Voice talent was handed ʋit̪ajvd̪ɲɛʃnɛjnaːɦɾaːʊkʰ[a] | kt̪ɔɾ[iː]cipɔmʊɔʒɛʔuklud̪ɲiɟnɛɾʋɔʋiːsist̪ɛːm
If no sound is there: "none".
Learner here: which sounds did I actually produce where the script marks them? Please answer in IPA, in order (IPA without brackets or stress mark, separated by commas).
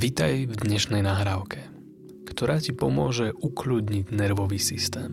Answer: ɛ, aː